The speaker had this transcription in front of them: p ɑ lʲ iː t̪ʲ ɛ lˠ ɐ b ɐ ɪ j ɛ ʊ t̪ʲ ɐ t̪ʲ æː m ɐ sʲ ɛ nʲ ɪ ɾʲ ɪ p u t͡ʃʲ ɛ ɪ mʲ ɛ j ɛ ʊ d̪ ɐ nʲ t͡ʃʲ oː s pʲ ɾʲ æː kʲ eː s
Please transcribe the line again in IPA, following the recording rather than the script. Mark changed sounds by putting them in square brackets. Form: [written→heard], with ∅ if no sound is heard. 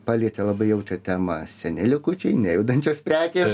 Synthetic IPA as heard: p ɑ lʲ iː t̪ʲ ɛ lˠ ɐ b ɐ ɪ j ɛ ʊ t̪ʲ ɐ t̪ʲ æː m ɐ sʲ ɛ nʲ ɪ [ɾʲ→lʲ] ɪ [p→k] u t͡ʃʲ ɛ ɪ [mʲ→nʲ] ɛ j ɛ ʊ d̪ ɐ nʲ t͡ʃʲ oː s pʲ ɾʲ æː kʲ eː s

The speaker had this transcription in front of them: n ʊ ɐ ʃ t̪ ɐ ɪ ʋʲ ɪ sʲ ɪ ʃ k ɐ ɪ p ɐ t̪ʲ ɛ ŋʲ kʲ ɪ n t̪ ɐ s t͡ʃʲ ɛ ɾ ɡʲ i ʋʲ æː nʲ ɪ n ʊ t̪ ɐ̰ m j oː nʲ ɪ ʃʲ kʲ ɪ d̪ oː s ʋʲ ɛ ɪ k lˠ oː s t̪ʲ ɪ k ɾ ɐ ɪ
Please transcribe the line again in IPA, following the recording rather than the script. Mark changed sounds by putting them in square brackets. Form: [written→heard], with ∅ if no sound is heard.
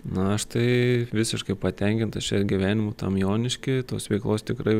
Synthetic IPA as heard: n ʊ ɐ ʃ t̪ ɐ ɪ ʋʲ ɪ sʲ ɪ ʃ k ɐ ɪ p ɐ t̪ʲ ɛ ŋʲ kʲ ɪ n t̪ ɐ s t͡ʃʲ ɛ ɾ ɡʲ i ʋʲ æː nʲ ɪ [n→m] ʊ t̪ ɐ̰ m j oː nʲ ɪ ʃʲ kʲ ɪ [d̪→t̪] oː s ʋʲ ɛ ɪ k lˠ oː s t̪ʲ ɪ k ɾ ɐ ɪ

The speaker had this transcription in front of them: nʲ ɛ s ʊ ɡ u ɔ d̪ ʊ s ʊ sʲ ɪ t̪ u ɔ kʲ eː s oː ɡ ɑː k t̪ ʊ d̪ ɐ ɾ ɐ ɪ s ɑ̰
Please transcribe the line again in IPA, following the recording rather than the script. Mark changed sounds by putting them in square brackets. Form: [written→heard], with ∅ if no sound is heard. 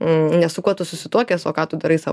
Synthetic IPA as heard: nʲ ɛ s ʊ [ɡ→k] u ɔ [d̪→t̪] ʊ s ʊ sʲ ɪ t̪ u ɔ kʲ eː s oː [ɡ→k] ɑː [k→∅] t̪ ʊ d̪ ɐ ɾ ɐ ɪ s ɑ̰

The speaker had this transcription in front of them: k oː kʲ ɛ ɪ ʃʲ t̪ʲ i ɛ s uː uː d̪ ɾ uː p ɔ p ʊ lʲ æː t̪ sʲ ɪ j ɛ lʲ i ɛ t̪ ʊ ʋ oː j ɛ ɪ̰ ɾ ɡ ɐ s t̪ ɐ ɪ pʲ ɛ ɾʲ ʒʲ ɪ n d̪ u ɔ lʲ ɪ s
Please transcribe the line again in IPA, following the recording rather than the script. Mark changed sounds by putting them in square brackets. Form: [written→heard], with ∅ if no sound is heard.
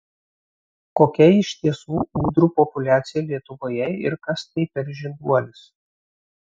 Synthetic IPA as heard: k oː kʲ ɛ ɪ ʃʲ t̪ʲ i ɛ s uː uː d̪ ɾ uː p ɔ p ʊ lʲ æː t̪ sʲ ɪ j ɛ lʲ i ɛ t̪ ʊ ʋ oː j ɛ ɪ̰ ɾ [ɡ→k] ɐ s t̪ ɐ ɪ pʲ ɛ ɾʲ ʒʲ ɪ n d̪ u ɔ lʲ ɪ s

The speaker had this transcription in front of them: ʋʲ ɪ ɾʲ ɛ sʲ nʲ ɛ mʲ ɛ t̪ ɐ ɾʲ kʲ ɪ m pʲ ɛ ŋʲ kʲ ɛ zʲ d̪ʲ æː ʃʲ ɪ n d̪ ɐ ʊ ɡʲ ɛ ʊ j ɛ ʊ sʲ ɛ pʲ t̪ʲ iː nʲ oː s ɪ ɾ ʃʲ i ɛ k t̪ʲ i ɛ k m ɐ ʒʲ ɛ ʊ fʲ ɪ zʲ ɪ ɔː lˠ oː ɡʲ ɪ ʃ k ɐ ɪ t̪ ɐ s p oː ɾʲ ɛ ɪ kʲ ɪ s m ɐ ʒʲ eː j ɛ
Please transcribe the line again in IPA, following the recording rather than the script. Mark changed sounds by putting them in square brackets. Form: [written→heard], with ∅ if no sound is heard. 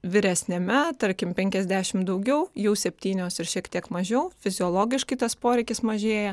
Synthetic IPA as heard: ʋʲ ɪ ɾʲ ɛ sʲ nʲ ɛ mʲ ɛ t̪ ɐ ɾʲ kʲ ɪ m pʲ ɛ ŋʲ kʲ ɛ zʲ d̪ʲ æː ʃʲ ɪ [n→m] d̪ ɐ ʊ ɡʲ ɛ ʊ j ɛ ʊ sʲ ɛ pʲ t̪ʲ iː nʲ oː s ɪ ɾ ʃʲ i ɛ k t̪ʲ i ɛ k m ɐ ʒʲ ɛ ʊ fʲ ɪ zʲ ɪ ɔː lˠ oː ɡʲ ɪ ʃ k ɐ ɪ t̪ ɐ s p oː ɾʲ ɛ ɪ kʲ ɪ s m ɐ ʒʲ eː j ɛ

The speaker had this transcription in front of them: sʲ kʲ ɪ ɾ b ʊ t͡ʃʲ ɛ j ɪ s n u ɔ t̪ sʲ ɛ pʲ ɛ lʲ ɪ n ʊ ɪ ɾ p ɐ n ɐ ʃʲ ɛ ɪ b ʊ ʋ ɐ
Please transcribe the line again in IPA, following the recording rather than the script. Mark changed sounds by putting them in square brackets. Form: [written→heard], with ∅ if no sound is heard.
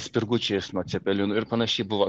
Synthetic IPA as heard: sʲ [kʲ→pʲ] ɪ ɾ [b→ɡ] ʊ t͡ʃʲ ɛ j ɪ s n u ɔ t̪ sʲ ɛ pʲ ɛ lʲ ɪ n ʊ ɪ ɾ p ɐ n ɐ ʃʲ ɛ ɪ b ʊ ʋ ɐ

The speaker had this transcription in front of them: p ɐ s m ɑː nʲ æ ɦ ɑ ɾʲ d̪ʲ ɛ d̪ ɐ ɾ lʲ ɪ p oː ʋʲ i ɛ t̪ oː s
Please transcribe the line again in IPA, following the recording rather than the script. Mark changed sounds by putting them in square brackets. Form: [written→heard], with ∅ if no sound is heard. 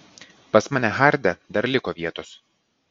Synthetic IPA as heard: p ɐ s m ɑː nʲ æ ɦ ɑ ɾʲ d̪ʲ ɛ d̪ ɐ ɾ lʲ ɪ [p→k] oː ʋʲ i ɛ t̪ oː s

